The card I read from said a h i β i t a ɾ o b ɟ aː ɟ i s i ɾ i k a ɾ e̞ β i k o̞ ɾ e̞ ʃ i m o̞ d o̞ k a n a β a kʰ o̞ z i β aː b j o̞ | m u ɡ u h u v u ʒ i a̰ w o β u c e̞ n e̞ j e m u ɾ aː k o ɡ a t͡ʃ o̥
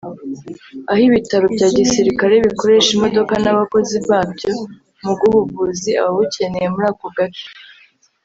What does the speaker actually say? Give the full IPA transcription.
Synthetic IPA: a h i β i t a ɾ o b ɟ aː ɟ i s i ɾ i k a ɾ e̞ β i k o̞ ɾ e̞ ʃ i m o̞ d o̞ k a n a β a k o̞ z i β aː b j o̞ | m u ɡ u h u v u z i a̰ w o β u c e̞ n e̞ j e m u ɾ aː k o ɡ a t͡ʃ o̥